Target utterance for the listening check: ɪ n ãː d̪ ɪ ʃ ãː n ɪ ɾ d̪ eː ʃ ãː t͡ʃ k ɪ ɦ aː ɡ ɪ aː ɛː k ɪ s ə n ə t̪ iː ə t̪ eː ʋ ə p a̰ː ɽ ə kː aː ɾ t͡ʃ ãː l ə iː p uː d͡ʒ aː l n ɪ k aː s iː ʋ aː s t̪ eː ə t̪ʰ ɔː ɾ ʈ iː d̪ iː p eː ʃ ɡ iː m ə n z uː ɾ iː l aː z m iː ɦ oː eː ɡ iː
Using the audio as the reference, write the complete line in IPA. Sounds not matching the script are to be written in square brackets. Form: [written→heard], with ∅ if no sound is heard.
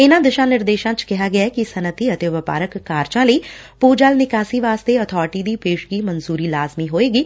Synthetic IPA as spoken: ɪ n ãː d̪ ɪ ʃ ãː n ɪ ɾ d̪ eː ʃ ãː t͡ʃ k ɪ ɦ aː ɡ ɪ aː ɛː k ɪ s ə n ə t̪ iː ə t̪ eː ʋ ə p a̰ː [ɽ→ɾ] ə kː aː ɾ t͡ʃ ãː l ə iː p uː d͡ʒ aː l n ɪ k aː s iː ʋ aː s t̪ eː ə t̪ʰ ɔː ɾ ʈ iː d̪ iː p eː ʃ ɡ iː m ə n z uː ɾ iː l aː z m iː ɦ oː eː ɡ iː